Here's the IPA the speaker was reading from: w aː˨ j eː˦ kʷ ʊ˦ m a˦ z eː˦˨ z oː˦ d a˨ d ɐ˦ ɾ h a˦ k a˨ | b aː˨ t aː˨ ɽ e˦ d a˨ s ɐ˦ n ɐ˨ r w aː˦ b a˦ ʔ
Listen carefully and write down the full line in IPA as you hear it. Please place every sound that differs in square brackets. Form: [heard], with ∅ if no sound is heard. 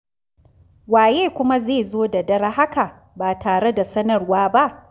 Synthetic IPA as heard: w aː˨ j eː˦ kʷ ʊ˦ m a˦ z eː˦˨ z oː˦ d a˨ d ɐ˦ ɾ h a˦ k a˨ | b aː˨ t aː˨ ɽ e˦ d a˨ s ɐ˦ n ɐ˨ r w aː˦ b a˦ ʔ